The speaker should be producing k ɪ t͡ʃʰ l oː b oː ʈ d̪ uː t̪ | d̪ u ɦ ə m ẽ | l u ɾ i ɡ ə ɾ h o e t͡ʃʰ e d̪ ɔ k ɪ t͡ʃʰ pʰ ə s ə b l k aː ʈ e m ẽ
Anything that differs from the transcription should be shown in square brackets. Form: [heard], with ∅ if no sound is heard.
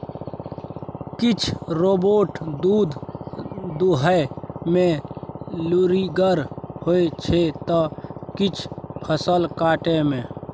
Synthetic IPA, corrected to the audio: k ɪ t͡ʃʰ [ɾ] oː b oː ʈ d̪ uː [d̪] | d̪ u ɦ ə m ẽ | l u ɾ i ɡ ə ɾ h o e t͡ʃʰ e [t̪] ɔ k ɪ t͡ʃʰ pʰ ə s ə [∅] l k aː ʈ e m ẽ